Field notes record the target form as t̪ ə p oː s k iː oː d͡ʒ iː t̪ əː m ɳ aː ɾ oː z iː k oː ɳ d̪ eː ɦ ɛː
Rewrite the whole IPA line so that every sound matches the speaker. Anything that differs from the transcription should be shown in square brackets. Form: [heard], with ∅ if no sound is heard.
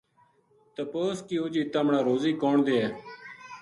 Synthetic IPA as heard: t̪ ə p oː s k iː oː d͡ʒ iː t̪ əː m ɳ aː ɾ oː z iː k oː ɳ d̪ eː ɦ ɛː